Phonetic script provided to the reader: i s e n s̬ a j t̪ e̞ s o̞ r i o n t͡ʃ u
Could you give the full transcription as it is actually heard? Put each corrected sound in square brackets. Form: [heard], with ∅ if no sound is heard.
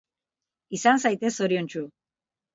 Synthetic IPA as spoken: i s [a] n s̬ a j t̪ e̞ s o̞ [ɾ] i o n t͡ʃ u